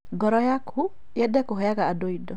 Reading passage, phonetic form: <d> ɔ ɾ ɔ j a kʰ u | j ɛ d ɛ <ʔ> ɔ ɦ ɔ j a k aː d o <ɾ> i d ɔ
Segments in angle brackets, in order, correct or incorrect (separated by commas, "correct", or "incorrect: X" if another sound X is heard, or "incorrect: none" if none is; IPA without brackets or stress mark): incorrect: ɡ, incorrect: k, incorrect: none